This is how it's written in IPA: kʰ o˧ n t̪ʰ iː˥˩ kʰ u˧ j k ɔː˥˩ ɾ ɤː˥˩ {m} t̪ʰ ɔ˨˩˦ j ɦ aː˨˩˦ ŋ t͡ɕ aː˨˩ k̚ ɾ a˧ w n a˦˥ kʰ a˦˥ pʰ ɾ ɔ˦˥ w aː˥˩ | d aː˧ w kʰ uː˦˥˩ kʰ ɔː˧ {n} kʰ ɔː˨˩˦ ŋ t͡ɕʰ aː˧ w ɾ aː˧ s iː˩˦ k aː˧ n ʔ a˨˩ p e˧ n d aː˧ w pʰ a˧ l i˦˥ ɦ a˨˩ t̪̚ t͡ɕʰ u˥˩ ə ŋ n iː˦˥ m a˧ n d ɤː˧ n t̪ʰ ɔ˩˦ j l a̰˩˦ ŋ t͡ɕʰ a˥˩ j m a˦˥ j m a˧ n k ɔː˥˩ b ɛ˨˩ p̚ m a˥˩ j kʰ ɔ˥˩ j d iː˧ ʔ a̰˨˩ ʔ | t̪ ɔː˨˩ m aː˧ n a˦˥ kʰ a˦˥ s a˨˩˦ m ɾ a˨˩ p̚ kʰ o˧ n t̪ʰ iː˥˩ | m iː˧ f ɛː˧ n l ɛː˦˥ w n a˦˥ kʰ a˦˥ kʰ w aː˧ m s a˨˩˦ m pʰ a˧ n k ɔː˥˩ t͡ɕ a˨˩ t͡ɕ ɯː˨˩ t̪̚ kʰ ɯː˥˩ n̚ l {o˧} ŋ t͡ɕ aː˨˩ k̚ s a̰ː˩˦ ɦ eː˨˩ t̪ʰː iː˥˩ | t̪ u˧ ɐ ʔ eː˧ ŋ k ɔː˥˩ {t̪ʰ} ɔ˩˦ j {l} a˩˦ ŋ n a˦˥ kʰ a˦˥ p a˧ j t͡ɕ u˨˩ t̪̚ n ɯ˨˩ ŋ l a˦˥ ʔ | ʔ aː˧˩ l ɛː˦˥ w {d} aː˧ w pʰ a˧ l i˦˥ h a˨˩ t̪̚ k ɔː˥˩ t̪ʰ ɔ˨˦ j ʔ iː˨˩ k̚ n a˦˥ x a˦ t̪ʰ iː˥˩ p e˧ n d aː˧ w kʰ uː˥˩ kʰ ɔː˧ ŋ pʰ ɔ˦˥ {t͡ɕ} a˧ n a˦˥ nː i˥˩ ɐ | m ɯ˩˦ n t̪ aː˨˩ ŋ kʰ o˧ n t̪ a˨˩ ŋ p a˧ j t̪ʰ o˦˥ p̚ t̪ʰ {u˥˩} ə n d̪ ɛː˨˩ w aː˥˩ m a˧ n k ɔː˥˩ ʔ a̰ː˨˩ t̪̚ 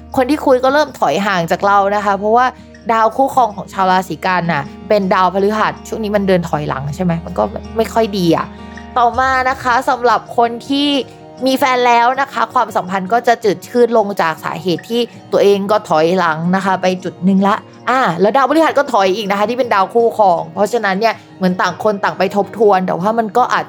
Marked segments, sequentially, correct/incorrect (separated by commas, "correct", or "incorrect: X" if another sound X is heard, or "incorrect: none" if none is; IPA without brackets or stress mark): correct, incorrect: ŋ, correct, correct, correct, correct, incorrect: t͡ɕʰ, incorrect: u˧